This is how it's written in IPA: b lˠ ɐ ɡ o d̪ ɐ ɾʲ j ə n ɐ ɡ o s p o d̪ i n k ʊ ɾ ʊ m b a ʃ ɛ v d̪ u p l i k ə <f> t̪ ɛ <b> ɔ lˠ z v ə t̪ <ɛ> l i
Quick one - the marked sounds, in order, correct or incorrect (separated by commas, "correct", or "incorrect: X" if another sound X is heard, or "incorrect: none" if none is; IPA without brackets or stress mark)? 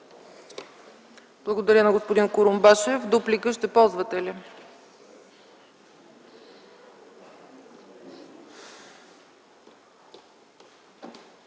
incorrect: ʃ, incorrect: p, correct